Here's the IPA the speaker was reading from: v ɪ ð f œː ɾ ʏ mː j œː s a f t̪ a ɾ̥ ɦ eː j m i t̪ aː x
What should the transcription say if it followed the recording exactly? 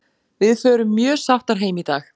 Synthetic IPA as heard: v ɪ ð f œː ɾ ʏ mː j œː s a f t̪ a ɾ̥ ɦ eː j m i t̪ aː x